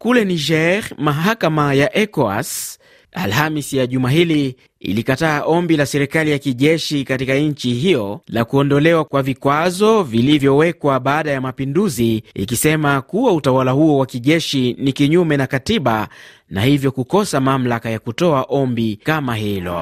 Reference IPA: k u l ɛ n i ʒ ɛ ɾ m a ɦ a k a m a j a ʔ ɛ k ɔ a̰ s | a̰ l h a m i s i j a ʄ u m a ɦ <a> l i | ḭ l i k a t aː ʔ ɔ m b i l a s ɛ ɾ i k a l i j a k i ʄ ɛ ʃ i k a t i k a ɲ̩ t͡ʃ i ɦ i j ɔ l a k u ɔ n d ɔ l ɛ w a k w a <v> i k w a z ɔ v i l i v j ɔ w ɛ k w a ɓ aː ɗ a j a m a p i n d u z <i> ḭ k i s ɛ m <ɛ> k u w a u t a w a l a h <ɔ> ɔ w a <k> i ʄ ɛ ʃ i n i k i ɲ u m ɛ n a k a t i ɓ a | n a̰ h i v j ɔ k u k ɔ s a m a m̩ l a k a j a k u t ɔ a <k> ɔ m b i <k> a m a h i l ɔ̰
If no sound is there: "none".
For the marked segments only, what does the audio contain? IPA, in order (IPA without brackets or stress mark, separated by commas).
i, v, i, a, u, k, ʔ, k